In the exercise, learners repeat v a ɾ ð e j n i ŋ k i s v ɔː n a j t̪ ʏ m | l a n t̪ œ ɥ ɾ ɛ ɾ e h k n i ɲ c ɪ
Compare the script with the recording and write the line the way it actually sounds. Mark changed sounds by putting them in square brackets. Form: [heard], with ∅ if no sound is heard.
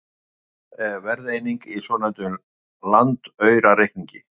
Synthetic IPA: v [ɛ] ɾ ð e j n i ŋ k i s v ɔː n a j t̪ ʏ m | l a n t̪ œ ɥ ɾ [a] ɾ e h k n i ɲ c ɪ